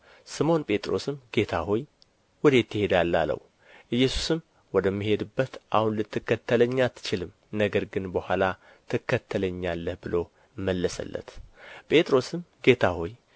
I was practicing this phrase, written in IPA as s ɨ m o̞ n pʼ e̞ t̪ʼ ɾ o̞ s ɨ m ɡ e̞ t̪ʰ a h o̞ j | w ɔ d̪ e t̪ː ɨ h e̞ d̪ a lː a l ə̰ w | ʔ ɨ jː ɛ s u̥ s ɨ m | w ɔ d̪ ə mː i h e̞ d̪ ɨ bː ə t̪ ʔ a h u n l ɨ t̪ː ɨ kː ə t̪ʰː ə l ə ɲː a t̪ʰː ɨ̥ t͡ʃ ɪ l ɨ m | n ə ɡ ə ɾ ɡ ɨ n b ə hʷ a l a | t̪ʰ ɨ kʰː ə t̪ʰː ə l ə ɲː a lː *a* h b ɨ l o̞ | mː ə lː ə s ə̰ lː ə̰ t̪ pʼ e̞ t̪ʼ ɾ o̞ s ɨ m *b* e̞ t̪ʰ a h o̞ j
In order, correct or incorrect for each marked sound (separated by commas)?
incorrect, incorrect